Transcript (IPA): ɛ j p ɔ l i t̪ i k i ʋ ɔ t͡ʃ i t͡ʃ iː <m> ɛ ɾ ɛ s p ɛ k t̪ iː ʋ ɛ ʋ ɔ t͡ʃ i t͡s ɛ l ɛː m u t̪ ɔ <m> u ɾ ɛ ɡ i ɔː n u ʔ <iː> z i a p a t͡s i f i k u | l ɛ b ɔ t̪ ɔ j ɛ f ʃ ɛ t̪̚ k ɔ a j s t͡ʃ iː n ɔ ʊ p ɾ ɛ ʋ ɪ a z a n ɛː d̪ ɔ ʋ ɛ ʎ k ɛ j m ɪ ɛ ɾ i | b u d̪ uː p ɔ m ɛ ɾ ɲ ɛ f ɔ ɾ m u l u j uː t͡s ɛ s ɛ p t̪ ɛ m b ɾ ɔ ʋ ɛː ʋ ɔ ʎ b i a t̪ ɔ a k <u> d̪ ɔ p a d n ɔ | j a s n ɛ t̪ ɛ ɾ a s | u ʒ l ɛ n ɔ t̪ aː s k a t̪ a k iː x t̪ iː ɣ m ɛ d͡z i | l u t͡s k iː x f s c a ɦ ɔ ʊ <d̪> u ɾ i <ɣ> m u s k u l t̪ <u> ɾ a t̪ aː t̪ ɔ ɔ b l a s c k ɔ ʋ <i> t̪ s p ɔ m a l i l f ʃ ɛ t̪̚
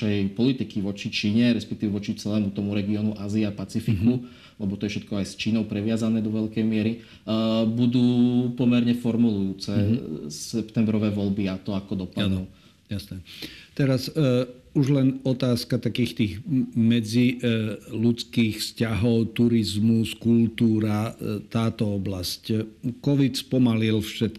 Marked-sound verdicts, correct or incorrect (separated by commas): incorrect, correct, incorrect, incorrect, incorrect, incorrect, incorrect, correct